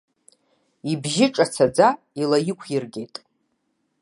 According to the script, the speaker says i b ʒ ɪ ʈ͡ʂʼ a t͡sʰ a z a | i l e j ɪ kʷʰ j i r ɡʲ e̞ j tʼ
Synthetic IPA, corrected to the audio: i b ʒ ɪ ʈ͡ʂʼ a t͡sʰ a d͡z a | i l a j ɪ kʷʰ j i r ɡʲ e̞ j tʼ